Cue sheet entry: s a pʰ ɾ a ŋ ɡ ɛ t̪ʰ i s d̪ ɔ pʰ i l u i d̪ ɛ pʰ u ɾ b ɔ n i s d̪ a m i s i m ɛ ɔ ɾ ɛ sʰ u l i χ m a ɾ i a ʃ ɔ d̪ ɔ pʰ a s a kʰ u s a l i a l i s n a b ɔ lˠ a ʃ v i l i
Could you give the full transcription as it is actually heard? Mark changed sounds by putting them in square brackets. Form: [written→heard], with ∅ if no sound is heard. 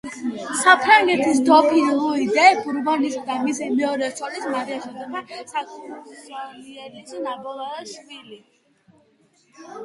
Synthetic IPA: s a pʰ ɾ a ŋ ɡ ɛ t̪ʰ i s d̪ ɔ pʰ i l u i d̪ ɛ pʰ u ɾ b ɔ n i s d̪ a m i s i m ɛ ɔ ɾ ɛ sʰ [u→ɔ] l i [χ→s] m a ɾ i a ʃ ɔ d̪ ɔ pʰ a s a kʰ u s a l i [a→ɛ] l i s n a b ɔ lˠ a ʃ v i l i